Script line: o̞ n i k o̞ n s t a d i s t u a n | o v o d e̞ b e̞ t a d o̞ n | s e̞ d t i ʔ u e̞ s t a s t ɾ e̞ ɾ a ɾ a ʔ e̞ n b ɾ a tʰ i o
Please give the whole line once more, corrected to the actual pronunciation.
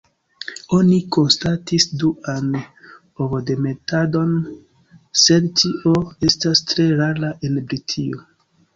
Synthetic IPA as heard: o̞ n i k o̞ n s t a t i s d u a n | o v o d e̞ m e̞ t a d o̞ n | s e̞ d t i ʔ o e̞ s t a s t ɾ e̞ ɾ a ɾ a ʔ e̞ n b ɾ i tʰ i o